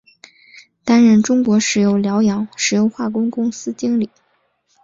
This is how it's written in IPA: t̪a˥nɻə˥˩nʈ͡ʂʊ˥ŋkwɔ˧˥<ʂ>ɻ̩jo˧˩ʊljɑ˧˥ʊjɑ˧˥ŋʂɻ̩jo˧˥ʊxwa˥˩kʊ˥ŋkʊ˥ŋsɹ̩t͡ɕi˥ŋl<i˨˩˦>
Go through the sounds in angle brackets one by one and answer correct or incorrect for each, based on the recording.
correct, correct

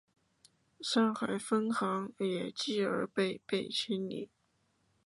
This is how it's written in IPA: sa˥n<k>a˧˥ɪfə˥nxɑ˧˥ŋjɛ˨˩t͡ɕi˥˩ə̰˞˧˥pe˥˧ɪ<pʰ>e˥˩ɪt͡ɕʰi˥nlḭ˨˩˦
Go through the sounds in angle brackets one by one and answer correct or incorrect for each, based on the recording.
incorrect, incorrect

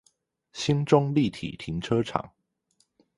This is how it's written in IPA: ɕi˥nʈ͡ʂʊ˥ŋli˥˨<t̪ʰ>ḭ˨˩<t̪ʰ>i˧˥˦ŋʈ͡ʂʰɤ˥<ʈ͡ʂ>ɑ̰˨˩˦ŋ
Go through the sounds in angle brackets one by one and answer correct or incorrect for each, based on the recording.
correct, correct, incorrect

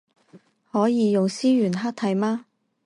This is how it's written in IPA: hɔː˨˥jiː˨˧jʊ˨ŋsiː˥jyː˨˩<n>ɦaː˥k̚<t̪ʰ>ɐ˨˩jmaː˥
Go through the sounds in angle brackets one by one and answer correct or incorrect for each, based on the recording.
correct, correct

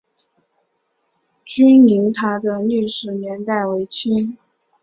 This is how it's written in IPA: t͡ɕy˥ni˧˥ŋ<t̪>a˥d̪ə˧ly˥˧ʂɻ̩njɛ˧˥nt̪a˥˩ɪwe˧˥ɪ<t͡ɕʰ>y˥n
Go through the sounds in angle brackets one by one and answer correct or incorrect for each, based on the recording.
incorrect, correct

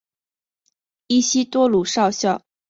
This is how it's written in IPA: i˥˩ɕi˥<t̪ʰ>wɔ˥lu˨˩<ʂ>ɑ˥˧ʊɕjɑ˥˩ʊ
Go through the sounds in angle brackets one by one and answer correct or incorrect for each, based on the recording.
incorrect, correct

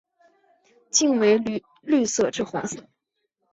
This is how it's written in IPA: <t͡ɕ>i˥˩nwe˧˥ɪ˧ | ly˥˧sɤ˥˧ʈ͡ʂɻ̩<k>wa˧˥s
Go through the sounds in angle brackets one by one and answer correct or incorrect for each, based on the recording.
correct, incorrect

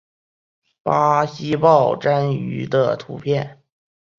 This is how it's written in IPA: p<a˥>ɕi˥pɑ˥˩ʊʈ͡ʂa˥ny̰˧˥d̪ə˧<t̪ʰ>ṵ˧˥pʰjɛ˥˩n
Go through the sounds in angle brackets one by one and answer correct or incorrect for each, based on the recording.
correct, correct

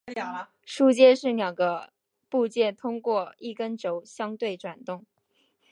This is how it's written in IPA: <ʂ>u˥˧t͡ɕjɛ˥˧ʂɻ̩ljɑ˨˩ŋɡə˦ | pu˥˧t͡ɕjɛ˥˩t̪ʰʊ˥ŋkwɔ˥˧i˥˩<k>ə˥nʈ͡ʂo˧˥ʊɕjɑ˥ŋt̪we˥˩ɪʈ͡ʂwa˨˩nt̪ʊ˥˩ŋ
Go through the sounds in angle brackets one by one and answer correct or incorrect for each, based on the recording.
correct, correct

